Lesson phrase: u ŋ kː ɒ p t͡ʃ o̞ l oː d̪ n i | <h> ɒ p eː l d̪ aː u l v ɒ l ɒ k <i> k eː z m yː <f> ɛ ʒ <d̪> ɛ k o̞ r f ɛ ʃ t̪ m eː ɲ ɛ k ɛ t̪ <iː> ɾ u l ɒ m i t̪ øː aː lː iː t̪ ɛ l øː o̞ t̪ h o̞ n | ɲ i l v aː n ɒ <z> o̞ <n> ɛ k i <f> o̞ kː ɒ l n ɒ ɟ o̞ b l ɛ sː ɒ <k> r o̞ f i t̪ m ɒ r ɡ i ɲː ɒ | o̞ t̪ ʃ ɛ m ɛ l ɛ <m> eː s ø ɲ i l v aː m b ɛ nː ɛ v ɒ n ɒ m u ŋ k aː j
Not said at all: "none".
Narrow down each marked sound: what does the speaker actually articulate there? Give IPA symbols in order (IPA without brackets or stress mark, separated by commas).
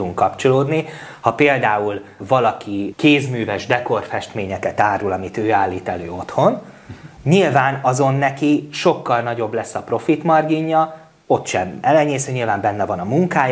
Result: h, i, v, d̪, aː, z, nː, ʃ, p, ɲ